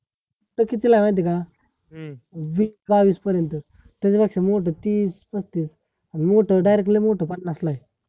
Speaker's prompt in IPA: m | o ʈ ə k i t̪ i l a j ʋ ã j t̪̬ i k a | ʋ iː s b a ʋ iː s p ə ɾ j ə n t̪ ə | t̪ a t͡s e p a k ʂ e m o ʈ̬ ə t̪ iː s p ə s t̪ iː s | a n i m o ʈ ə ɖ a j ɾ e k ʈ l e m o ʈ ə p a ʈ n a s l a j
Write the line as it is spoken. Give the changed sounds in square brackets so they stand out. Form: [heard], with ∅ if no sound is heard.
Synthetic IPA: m | o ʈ ə k i t̪ i l a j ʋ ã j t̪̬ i k a | ʋ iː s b a ʋ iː s p ə ɾ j ə n t̪ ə | t̪ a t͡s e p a k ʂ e m o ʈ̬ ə t̪ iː s p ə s t̪ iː s | a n i m o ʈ ə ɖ a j ɾ e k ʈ l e m o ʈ ə p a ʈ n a s l a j